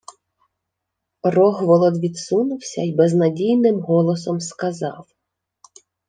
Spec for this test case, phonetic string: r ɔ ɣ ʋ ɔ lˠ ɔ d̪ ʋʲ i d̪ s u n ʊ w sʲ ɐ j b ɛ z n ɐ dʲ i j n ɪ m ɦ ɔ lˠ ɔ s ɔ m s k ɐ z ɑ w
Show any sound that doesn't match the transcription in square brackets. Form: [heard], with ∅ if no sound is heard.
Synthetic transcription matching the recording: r ɔ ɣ ʋ ɔ lˠ ɔ d̪ ʋʲ i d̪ s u n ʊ w sʲ ɐ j b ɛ z n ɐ dʲ i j n ɪ m ɦ ɔ lˠ ɔ s ɔ m s k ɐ z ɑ w